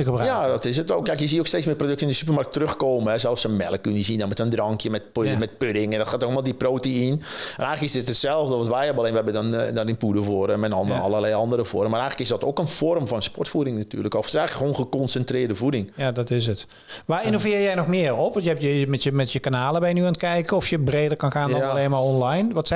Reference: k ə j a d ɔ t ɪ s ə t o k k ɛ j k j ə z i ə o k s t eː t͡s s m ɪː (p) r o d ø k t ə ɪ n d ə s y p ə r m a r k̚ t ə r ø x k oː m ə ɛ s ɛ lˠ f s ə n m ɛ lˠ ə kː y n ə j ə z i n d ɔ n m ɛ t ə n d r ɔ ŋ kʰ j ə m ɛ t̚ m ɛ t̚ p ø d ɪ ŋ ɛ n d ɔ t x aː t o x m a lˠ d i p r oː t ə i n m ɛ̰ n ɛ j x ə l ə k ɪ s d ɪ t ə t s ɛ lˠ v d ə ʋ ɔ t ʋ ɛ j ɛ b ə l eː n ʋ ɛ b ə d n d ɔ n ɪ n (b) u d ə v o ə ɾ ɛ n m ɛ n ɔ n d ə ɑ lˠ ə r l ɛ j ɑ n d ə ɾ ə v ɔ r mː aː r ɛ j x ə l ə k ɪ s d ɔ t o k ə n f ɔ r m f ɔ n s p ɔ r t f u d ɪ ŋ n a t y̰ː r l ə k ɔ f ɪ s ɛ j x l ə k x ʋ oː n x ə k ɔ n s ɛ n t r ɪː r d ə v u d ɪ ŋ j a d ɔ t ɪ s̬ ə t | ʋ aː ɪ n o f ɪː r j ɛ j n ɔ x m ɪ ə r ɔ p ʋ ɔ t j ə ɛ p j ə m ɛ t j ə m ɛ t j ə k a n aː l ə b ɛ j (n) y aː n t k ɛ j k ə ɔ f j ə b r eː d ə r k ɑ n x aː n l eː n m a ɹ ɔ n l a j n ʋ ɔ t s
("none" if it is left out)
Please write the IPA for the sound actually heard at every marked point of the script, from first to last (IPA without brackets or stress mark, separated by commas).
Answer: p, p, n